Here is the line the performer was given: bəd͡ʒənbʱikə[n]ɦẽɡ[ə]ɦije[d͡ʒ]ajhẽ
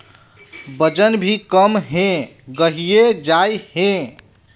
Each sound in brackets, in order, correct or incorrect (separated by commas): incorrect, correct, correct